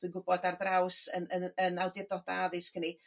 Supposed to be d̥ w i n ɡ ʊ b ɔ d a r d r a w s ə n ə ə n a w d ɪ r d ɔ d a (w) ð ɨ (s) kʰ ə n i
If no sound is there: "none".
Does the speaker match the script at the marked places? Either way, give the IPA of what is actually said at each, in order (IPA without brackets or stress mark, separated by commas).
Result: none, s